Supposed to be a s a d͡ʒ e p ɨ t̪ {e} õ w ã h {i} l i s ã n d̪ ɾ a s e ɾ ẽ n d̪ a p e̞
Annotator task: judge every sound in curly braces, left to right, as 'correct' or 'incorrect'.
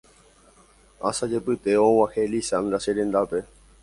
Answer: correct, incorrect: e

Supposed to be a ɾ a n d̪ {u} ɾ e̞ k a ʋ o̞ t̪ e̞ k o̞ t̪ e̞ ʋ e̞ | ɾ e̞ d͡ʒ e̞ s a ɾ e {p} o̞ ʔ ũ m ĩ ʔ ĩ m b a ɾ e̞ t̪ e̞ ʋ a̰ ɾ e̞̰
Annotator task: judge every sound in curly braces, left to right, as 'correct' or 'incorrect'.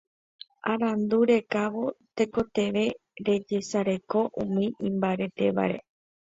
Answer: correct, incorrect: k

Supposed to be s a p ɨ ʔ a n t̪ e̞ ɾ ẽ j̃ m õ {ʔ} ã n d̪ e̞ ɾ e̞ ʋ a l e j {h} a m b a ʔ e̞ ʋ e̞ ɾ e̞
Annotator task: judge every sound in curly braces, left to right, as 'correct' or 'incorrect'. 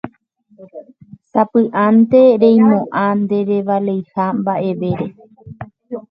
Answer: correct, correct

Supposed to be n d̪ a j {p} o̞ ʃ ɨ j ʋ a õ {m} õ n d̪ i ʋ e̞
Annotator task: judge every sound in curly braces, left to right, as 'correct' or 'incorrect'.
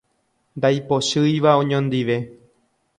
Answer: correct, incorrect: ɲ

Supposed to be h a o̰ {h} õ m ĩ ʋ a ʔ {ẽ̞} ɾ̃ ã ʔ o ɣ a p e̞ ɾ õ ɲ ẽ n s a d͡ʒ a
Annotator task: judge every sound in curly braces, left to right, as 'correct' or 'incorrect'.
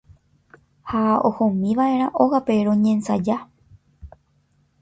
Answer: correct, incorrect: e̞

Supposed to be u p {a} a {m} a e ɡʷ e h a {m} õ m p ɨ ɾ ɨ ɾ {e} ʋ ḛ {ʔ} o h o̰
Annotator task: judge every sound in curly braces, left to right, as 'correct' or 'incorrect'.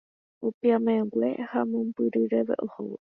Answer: incorrect: i, correct, correct, correct, correct

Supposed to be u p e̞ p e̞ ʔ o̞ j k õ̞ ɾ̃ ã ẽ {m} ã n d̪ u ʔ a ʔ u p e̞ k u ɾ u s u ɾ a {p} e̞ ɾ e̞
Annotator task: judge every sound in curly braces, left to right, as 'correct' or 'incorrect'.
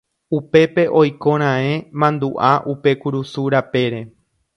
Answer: correct, correct

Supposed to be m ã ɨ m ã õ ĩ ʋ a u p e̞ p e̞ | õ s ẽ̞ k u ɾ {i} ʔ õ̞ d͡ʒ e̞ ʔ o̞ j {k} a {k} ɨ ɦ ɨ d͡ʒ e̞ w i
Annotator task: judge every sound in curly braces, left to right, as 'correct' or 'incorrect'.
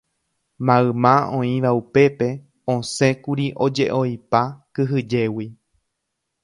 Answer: correct, incorrect: p, correct

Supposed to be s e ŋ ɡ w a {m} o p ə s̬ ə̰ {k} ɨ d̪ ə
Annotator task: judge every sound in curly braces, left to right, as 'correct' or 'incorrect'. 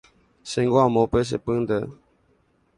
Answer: correct, incorrect: p

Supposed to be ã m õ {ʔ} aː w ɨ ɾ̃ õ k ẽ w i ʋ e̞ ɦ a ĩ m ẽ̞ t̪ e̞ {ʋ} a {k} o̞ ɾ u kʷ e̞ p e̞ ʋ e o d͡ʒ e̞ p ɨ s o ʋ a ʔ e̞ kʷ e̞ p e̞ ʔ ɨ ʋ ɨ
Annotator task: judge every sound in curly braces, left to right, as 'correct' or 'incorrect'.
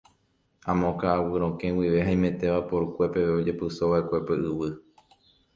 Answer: incorrect: k, correct, incorrect: p

